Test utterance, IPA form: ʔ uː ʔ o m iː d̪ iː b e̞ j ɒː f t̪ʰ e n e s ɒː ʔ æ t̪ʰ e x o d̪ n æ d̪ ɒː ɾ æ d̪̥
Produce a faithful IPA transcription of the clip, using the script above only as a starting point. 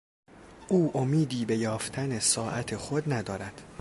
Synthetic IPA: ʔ uː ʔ o m iː d̪ iː b e̞ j ɒː f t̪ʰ æ n e s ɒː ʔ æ t̪ʰ e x o d̪ n æ d̪ ɒː ɾ æ d̪̥

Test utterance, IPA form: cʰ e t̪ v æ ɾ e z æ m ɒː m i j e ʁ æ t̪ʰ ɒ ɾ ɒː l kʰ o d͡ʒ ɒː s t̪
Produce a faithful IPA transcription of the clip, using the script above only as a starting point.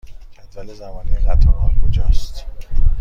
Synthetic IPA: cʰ æ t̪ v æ l e z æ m ɒː n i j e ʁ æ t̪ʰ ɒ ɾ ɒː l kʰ o d͡ʒ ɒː s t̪

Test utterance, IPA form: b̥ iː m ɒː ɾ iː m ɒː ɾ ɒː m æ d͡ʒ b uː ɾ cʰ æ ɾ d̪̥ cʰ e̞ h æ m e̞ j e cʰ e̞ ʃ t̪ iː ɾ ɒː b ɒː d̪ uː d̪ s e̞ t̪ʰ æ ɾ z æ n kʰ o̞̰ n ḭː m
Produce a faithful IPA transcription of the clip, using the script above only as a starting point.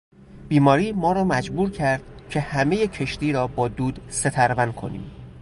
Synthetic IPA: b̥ iː m ɒː ɾ iː m ɒː ɾ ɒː m æ d͡ʒ b uː ɾ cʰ æ ɾ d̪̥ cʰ e̞ h æ m e̞ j e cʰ e̞ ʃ t̪ iː ɾ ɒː b ɒː d̪ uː d̪ s e̞ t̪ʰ æ ɾ v æ n kʰ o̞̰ n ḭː m

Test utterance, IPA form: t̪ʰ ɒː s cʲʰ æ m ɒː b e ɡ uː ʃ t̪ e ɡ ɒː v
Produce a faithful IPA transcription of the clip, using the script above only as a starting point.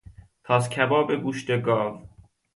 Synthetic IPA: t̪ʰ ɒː s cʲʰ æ b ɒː b e ɡ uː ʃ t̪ e ɡ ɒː v

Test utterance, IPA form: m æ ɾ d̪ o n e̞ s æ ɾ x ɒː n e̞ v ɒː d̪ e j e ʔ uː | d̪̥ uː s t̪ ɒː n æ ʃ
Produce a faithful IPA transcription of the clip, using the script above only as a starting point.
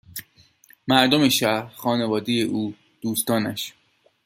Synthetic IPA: m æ ɾ d̪ o m e̞ ʃ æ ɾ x ɒː n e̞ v ɒː d̪ e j e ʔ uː | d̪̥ uː s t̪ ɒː n æ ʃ

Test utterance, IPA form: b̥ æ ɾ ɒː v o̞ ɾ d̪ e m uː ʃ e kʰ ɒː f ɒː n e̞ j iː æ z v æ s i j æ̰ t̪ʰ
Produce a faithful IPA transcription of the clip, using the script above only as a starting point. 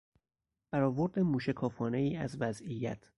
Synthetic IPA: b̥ æ ɾ ɒː v o̞ ɾ d̪ e m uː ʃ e kʰ ɒː f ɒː n e̞ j iː æ z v æ z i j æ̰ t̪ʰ

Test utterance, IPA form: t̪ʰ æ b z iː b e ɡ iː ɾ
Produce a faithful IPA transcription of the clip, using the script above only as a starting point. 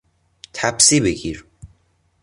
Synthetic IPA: t̪ʰ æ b s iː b e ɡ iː ɾ

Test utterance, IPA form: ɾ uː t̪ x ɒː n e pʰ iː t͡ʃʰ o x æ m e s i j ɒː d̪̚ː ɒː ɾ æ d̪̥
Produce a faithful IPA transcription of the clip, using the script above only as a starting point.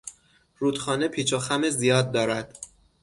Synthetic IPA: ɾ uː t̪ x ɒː n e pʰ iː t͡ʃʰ o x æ m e z i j ɒː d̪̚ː ɒː ɾ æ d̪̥

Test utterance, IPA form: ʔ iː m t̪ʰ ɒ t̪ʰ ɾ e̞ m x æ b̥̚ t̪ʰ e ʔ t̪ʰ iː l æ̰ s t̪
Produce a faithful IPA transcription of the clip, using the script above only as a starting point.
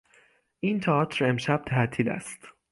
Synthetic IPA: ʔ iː n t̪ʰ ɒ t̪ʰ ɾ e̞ m ʃ æ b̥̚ t̪ʰ æ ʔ t̪ʰ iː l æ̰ s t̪

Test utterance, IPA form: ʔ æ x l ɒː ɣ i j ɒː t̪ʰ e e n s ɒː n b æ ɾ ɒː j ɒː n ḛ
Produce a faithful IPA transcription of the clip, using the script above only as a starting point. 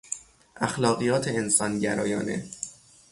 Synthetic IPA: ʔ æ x l ɒː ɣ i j ɒː t̪ʰ e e n s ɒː n ɟ æ ɾ ɒː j ɒː n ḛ

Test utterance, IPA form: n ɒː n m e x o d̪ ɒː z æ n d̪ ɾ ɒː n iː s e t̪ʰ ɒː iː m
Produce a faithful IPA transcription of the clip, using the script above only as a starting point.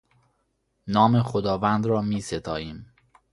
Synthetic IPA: n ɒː m e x o d̪ ɒː v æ n d̪ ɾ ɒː m iː s e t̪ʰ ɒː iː m

